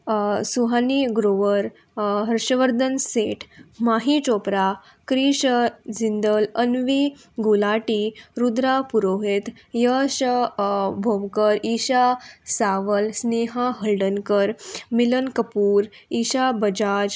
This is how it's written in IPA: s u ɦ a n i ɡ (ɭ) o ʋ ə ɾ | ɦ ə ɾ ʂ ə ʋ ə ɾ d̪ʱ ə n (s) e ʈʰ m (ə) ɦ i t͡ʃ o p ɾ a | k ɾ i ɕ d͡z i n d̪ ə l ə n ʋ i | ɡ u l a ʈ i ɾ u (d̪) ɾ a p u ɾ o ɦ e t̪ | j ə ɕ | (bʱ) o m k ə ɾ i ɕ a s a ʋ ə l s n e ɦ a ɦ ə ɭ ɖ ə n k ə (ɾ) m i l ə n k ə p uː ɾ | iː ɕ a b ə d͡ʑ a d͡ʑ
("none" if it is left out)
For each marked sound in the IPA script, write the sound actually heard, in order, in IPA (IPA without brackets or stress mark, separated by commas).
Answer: ɾ, s, a, d̪, bʱ, ɾ